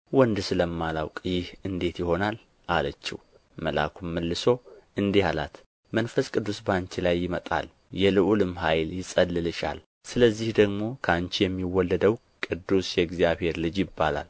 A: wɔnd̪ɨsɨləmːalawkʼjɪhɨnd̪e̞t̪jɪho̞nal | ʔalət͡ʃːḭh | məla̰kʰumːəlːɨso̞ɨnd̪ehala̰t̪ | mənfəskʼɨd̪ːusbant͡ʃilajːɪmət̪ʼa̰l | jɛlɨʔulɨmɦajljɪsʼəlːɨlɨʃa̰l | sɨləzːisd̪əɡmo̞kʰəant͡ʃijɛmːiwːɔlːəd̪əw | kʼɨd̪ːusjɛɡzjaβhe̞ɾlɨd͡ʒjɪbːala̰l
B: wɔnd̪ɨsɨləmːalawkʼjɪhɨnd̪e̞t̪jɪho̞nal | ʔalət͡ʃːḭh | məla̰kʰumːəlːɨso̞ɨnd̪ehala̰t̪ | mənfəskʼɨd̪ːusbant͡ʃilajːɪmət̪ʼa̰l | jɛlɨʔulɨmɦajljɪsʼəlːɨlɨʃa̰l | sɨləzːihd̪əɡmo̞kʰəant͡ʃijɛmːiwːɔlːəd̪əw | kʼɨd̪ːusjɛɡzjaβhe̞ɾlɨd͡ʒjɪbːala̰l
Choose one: B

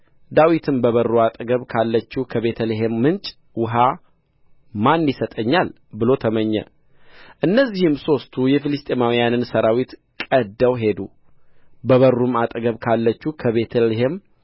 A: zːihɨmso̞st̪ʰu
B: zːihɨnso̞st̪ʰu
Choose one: A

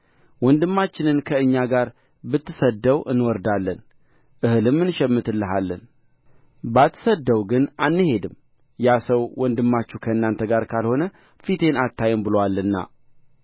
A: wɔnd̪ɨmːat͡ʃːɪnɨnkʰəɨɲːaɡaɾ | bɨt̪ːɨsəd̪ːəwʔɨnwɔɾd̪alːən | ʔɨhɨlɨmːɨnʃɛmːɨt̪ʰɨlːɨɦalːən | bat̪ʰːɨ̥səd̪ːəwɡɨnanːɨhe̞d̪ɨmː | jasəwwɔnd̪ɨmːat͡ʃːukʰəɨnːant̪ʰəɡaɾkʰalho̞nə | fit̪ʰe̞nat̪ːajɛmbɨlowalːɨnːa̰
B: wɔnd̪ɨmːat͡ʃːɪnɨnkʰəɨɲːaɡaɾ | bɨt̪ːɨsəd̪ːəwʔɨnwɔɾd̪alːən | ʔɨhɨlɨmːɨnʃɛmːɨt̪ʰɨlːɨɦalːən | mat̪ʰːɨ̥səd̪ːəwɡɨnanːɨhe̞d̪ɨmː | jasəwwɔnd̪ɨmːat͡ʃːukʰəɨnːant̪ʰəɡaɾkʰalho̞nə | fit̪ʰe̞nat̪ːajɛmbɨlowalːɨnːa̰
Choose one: A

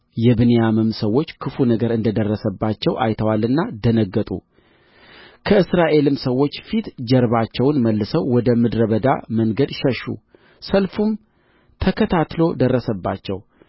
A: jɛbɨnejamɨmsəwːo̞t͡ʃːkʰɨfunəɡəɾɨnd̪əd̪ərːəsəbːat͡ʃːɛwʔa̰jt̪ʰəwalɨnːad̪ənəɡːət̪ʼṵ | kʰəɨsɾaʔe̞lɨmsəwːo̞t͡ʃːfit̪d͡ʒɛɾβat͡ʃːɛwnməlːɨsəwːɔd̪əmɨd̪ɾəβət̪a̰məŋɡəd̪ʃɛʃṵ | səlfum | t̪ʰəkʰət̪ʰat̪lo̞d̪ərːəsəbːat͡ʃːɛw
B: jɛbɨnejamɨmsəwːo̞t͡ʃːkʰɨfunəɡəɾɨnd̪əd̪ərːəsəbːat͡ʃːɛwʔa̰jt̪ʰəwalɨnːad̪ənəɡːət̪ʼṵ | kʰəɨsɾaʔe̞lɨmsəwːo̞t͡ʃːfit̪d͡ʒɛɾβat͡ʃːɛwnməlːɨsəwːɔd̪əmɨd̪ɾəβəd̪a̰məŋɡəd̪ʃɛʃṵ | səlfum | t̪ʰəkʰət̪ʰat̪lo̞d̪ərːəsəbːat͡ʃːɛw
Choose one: B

